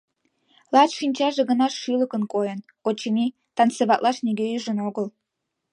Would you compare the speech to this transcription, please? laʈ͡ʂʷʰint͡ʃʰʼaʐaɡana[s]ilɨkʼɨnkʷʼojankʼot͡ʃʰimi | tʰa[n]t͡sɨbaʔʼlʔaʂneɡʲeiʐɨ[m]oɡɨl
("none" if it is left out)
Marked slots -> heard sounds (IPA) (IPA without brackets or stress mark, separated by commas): ʂ, n, n